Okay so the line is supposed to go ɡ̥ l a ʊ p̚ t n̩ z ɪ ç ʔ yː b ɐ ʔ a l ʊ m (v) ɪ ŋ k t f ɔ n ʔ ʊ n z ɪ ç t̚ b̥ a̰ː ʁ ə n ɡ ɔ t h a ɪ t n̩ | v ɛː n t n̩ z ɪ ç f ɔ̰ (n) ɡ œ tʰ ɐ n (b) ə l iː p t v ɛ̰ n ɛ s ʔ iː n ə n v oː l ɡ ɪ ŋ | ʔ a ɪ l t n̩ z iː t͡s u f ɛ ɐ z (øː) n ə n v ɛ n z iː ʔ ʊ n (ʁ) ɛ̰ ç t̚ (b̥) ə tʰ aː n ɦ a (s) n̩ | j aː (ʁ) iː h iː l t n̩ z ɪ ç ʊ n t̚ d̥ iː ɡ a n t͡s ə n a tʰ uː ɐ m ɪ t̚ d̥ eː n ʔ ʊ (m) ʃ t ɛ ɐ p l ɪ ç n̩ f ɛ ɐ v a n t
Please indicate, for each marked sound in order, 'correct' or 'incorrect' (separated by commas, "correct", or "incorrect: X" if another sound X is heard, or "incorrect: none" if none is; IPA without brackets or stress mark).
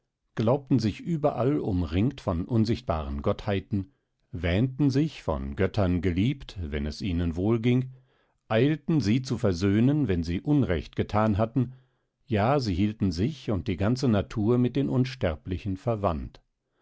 incorrect: ʁ, correct, incorrect: ɡ, correct, correct, incorrect: ɡ̥, incorrect: t, incorrect: z, incorrect: n